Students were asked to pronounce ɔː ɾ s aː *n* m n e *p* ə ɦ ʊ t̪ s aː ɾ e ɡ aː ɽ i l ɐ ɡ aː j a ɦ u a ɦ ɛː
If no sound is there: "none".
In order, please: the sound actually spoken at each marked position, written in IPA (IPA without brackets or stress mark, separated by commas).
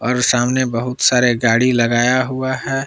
none, b